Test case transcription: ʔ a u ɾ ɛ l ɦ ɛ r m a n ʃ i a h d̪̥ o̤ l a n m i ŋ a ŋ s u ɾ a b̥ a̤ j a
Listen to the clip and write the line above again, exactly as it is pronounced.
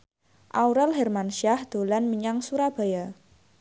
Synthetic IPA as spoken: ʔ a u ɾ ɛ l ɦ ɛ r m a n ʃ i a h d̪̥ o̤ l a n m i ɲ a ŋ s u ɾ a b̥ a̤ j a